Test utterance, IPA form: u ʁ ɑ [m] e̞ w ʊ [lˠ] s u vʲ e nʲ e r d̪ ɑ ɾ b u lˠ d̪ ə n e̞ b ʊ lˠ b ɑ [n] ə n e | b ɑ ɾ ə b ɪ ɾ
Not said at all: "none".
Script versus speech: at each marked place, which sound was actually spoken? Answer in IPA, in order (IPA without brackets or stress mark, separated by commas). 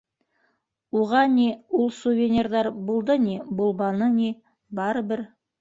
n, lˠ, n